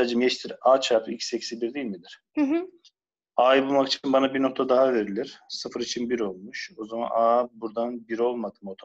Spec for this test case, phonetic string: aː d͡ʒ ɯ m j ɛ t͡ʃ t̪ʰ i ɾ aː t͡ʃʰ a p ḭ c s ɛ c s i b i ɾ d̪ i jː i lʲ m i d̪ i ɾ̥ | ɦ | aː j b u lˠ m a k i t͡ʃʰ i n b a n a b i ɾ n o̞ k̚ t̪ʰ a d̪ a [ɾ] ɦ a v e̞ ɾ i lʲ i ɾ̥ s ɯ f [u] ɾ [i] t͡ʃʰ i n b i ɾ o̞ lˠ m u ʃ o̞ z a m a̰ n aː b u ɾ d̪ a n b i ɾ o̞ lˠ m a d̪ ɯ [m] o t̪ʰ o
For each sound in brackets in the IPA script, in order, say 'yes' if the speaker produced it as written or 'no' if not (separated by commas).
no, no, yes, yes